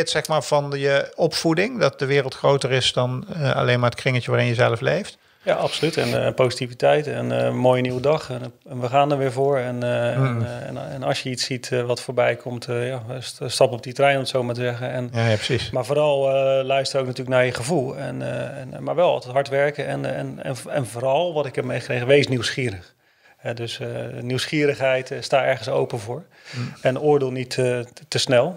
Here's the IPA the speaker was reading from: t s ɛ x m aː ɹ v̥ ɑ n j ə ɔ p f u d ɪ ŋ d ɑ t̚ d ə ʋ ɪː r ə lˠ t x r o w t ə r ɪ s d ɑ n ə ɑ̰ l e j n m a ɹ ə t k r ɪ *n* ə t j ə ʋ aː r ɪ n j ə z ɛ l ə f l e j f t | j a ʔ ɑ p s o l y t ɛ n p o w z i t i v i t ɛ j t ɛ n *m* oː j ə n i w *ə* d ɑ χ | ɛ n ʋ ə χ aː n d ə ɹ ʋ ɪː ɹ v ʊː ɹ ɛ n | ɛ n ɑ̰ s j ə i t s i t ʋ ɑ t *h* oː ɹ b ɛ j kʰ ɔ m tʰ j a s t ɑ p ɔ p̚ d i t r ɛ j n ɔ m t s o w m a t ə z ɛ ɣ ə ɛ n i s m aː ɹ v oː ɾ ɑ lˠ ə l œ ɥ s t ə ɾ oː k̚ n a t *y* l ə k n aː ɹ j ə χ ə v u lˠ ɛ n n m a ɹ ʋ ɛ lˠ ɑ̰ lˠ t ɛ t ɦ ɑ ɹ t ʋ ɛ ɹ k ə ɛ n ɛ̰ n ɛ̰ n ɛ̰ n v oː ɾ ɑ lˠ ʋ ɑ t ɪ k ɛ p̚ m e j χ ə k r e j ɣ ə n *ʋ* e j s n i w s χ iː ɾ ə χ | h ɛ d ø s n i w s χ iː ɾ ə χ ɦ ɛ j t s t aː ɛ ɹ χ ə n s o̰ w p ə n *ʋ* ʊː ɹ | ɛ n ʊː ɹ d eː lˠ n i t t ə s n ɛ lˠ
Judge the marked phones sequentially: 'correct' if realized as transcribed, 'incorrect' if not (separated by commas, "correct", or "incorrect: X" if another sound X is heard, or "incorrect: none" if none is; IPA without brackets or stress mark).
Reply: incorrect: ŋ, correct, correct, incorrect: f, incorrect: yː, correct, incorrect: v